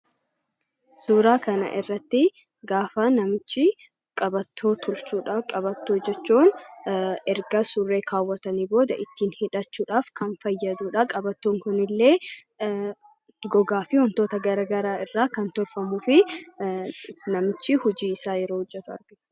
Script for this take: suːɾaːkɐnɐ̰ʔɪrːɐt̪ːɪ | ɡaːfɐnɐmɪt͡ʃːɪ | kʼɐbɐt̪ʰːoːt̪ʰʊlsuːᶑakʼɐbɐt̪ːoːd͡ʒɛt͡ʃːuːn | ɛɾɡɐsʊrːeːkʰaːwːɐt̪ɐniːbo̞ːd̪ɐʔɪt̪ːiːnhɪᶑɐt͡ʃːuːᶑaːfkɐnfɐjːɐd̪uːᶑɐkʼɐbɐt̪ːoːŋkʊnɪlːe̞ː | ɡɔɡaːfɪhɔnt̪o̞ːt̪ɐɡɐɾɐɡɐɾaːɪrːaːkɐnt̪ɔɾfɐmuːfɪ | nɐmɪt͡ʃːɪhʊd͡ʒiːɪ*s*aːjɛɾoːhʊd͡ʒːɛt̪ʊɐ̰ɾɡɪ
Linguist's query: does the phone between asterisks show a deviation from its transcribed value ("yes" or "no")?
no